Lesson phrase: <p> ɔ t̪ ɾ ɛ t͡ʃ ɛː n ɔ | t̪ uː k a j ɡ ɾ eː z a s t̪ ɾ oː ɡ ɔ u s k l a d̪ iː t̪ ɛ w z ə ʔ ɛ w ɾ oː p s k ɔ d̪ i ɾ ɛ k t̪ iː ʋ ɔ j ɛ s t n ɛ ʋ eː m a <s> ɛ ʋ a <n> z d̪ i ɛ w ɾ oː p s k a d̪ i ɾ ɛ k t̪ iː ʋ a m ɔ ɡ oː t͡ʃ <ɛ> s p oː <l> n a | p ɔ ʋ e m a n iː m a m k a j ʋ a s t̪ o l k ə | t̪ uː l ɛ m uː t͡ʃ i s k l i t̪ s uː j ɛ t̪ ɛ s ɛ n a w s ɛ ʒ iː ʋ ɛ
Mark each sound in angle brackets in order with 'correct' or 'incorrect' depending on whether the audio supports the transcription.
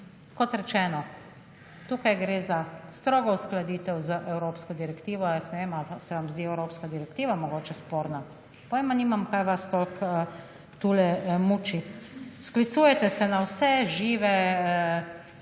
incorrect: k, correct, incorrect: m, correct, incorrect: ɾ

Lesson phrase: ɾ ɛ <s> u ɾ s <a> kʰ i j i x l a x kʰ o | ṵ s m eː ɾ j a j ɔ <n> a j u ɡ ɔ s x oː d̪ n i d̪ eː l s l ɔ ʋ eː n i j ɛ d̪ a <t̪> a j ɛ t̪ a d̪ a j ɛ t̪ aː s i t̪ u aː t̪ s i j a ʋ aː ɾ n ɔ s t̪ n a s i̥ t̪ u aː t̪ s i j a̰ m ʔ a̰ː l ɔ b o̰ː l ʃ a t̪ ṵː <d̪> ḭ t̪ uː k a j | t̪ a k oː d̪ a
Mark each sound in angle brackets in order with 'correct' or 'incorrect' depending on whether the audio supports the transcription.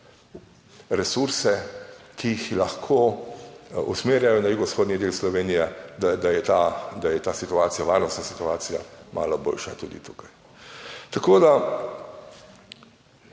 correct, incorrect: ɛ, correct, incorrect: d̪, correct

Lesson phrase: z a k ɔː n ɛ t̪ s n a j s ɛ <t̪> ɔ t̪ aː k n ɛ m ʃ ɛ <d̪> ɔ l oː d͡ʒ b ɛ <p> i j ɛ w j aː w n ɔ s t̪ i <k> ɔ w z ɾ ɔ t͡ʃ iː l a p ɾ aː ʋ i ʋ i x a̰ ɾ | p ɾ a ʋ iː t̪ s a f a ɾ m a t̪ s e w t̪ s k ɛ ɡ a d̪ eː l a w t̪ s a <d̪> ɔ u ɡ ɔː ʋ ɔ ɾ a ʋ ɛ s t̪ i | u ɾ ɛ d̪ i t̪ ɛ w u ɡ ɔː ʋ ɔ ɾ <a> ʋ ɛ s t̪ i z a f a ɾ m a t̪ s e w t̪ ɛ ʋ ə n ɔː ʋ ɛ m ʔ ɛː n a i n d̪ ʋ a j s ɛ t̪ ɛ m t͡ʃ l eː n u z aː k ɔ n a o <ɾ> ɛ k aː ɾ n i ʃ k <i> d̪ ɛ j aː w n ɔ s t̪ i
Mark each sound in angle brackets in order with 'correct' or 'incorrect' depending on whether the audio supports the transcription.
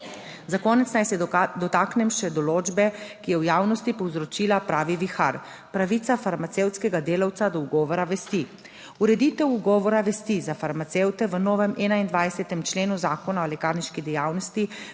incorrect: d̪, correct, incorrect: k, incorrect: p, correct, correct, incorrect: l, correct

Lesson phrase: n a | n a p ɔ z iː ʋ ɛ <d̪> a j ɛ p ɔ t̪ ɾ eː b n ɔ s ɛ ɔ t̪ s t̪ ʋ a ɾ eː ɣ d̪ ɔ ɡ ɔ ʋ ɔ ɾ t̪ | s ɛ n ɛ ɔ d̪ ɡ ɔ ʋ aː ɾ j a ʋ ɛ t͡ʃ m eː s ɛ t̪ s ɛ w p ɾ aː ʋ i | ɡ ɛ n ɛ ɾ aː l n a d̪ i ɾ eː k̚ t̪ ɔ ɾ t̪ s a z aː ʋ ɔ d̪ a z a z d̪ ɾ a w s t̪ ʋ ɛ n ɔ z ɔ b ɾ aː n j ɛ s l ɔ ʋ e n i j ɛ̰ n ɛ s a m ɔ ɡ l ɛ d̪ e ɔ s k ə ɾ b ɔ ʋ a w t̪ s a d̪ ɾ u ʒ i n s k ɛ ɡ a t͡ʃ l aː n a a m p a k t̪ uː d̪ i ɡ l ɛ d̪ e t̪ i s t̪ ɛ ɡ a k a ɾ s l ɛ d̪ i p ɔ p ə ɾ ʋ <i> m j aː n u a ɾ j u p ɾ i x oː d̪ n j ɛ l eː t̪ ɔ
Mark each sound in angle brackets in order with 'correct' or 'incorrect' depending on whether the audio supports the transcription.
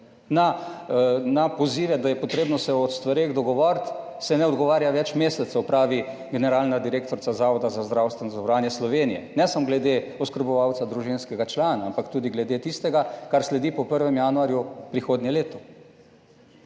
correct, incorrect: ɛ

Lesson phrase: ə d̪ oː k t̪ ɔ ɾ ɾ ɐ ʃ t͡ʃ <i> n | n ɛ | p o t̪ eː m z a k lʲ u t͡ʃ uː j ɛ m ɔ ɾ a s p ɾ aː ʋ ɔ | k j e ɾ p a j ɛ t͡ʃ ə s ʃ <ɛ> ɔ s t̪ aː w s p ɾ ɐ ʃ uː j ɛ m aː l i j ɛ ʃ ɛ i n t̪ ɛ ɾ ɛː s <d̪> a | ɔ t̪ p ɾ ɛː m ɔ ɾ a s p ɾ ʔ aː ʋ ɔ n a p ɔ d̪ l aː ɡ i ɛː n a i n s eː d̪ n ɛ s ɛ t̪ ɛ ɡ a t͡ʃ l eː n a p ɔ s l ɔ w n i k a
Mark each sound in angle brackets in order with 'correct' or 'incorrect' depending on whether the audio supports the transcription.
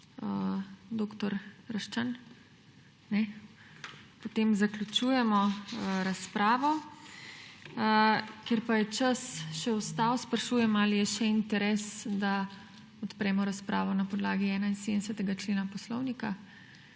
incorrect: a, correct, correct

